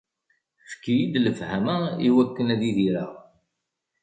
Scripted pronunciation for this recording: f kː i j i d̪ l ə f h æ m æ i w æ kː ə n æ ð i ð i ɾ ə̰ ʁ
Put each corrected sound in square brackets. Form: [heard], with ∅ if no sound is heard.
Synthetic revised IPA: f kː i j i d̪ l ə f h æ m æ i w æ kː ə n æ ð i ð i ɾ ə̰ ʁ